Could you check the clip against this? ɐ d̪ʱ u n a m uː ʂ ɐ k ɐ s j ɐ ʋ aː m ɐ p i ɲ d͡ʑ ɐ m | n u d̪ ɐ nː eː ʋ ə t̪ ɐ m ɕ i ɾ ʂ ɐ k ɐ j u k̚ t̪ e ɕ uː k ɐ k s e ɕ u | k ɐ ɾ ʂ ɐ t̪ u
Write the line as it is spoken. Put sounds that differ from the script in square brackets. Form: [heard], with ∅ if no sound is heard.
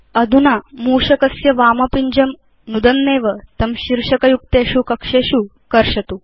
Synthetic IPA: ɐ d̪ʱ u n a m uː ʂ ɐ k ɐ s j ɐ ʋ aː m ɐ p i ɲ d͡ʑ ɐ m | n u d̪ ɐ nː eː ʋ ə t̪ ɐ m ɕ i ɾ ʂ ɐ k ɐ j u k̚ t̪ e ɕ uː k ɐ k [ʂ] e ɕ u | k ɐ ɾ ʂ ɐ t̪ u